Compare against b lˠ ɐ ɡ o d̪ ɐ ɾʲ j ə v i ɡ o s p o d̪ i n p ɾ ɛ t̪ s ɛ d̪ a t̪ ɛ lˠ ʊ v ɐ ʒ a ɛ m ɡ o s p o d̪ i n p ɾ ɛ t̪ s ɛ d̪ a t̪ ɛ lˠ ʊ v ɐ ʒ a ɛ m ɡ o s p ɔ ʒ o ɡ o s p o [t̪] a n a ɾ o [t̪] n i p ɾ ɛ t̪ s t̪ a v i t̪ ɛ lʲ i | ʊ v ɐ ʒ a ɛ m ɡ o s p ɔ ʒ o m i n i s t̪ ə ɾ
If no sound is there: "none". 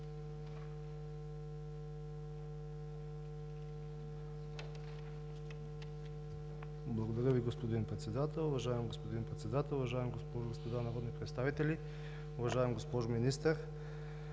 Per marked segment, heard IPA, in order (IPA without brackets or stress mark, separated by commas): d̪, d̪